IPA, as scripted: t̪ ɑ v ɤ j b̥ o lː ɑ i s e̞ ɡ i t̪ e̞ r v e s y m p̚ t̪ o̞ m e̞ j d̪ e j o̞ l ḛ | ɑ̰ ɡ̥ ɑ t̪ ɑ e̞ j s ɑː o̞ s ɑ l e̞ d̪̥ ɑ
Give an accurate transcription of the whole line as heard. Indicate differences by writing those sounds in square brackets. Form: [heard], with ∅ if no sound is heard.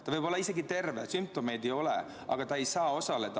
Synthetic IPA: t̪ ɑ v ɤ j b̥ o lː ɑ i s e̞ ɡ i t̪ e̞ r v e s y m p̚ t̪ o̞ m e̞ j d̪ e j o̞ l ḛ | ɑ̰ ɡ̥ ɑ t̪ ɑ e̞ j s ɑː o̞ s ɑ l e̞ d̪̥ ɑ